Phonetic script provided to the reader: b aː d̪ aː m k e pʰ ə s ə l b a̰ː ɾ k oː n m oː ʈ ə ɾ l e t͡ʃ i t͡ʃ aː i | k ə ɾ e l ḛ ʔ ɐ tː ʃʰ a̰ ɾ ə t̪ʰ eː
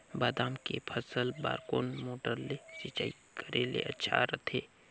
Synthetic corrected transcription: b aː d̪ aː m k e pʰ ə s ə l b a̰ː ɾ k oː n m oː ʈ ə ɾ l e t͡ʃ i t͡ʃ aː i | k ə ɾ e l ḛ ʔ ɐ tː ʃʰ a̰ ɾ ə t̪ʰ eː